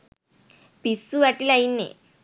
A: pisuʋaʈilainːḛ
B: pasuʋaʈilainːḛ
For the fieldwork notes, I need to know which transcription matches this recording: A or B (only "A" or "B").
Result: A